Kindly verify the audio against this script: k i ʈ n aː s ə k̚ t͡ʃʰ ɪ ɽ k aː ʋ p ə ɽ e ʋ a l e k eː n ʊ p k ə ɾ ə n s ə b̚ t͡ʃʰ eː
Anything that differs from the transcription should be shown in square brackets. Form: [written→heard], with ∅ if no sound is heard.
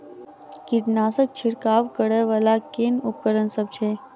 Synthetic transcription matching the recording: k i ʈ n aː s ə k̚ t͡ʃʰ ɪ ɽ k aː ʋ [p→k] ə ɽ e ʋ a l [e→a] k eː n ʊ p k ə ɾ ə n s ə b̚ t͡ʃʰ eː